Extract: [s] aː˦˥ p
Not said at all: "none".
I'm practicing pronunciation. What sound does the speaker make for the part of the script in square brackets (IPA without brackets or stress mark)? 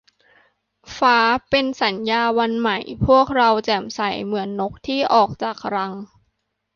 f